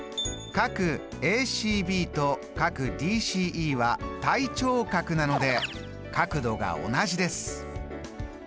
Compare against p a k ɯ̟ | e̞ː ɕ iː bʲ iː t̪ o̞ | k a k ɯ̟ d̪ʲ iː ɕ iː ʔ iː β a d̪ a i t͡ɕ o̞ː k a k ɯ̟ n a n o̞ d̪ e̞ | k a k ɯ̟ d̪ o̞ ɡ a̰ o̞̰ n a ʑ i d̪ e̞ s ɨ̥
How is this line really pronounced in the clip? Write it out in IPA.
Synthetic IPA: k a k ɯ̟ | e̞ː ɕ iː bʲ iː t̪ o̞ | k a k ɯ̟ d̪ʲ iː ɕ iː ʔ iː β a t̪ a i t͡ɕ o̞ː k a k ɯ̟ n a n o̞ d̪ e̞ | k a k ɯ̟ d̪ o̞ ɡ a̰ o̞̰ n a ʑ i d̪ e̞ s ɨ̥